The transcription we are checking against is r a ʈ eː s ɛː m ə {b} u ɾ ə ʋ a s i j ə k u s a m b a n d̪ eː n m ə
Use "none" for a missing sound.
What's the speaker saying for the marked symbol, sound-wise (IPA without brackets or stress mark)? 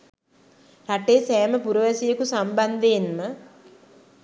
p